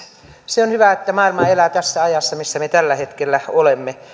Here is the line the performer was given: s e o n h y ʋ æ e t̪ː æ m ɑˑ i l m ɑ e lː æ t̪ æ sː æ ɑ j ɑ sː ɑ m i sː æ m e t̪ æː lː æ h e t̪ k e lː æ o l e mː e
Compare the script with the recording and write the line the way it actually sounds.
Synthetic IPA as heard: s e o n h y ʋ æ e t̪ː æ m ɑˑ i l m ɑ e l æ t̪ æ sː æ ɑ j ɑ sː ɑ m i sː æ m e t̪ æ lː æ h e t̪ k e lː æ o l e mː e